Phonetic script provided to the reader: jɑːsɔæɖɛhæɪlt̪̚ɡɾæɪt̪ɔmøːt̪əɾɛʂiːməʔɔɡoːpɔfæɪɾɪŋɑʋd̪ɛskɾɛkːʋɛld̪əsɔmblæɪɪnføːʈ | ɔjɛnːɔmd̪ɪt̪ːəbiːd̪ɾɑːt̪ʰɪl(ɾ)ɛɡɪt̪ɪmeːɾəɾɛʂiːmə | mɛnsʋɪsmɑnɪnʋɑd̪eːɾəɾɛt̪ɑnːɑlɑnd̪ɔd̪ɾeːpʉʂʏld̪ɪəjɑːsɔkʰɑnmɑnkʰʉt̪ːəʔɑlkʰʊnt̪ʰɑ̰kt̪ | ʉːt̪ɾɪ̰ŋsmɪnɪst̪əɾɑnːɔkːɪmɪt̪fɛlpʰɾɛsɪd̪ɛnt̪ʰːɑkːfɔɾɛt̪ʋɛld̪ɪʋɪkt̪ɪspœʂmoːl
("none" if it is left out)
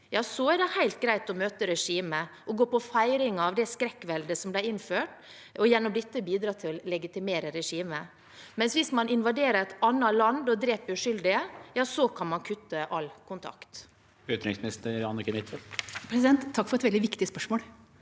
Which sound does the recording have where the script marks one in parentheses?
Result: l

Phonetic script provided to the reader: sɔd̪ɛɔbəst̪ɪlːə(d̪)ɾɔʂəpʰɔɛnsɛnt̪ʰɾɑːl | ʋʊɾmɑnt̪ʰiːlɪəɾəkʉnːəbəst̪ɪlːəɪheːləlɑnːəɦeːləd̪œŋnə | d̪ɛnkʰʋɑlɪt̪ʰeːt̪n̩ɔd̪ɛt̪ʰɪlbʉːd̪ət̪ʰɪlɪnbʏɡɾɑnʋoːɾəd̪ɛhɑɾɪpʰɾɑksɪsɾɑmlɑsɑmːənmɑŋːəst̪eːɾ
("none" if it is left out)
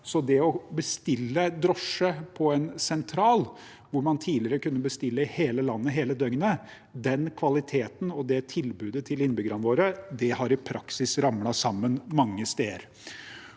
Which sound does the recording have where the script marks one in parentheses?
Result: d̪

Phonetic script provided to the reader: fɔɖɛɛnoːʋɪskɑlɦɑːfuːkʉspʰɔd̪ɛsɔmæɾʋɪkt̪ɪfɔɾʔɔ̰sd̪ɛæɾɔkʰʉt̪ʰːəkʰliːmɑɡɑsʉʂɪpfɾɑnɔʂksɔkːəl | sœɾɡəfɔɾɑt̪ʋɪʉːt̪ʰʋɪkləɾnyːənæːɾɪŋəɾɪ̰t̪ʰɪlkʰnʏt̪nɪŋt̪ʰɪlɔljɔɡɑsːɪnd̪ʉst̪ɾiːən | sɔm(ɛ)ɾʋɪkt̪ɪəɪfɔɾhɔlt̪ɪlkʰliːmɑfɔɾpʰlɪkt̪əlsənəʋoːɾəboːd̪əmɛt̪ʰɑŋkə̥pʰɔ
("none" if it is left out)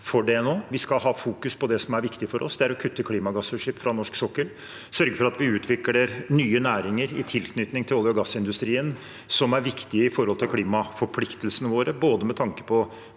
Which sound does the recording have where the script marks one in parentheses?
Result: æ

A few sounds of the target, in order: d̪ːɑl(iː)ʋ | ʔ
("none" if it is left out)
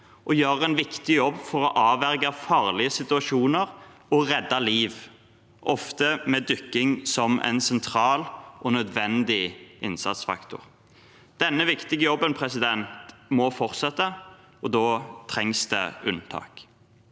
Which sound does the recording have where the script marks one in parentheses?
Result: iː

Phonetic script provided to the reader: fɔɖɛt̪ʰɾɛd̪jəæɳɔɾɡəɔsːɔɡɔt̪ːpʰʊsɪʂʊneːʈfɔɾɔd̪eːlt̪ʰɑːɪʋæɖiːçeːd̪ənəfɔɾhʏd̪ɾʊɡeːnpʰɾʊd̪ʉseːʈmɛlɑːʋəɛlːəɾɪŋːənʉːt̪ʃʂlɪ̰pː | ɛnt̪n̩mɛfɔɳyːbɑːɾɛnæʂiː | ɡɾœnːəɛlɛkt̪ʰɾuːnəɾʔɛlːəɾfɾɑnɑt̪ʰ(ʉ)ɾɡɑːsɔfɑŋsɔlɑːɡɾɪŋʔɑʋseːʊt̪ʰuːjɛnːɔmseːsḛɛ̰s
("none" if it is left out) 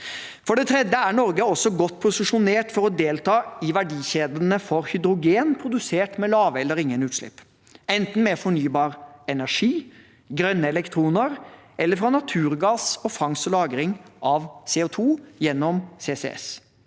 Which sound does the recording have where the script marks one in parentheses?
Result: ʉː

